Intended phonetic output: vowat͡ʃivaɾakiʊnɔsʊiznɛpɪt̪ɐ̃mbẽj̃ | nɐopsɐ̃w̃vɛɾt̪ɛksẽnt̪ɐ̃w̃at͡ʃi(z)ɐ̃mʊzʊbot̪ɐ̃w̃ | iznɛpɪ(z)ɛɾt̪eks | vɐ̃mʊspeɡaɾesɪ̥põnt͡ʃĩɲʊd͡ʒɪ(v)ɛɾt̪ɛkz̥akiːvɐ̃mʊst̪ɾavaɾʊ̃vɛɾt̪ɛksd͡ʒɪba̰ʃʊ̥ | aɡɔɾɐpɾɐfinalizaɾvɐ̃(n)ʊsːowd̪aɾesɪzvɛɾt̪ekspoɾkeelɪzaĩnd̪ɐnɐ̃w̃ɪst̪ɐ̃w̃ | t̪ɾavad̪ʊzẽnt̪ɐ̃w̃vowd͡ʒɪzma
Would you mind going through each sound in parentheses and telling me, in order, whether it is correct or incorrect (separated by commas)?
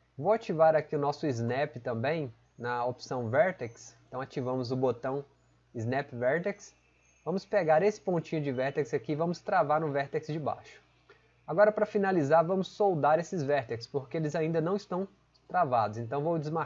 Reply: incorrect, incorrect, correct, incorrect